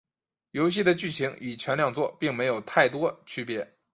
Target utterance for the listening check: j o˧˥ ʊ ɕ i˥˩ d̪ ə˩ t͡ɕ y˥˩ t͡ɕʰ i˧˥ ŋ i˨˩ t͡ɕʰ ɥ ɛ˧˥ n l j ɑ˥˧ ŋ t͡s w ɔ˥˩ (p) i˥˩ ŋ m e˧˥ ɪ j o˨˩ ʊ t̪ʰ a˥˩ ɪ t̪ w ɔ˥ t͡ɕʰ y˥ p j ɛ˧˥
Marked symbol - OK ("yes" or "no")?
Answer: yes